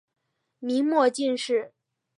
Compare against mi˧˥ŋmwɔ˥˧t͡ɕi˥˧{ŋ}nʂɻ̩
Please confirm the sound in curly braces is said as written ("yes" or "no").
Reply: no